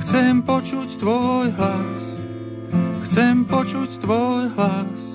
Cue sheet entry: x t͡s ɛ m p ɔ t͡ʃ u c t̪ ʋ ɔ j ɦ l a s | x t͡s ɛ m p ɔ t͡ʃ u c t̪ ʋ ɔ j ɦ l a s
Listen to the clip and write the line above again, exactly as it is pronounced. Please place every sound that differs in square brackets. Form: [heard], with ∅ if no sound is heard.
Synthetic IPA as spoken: x t͡s ɛ m p ɔ t͡ʃ u c t̪ ʋ ɔ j ɦ l a s | x t͡s ɛ m p ɔ t͡ʃ u c t̪ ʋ ɔ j ɦ l a s